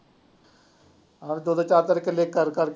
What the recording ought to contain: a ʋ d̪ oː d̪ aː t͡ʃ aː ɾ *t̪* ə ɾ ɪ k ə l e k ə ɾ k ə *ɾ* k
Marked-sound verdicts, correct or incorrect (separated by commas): correct, correct